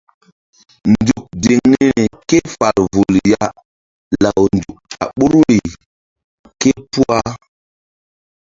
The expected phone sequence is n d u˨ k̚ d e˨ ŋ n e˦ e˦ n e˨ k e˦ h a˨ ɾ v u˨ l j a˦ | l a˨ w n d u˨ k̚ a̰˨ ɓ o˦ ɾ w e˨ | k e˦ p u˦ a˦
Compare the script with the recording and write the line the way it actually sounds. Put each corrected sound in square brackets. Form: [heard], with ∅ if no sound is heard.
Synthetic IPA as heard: n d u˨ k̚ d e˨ ŋ n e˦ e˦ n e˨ k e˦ [f] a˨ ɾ v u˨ l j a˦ | l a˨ w n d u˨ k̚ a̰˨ ɓ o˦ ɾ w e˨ | k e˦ p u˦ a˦